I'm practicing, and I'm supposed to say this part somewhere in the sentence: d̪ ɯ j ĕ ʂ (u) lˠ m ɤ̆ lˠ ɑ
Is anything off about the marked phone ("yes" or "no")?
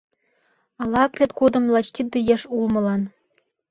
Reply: no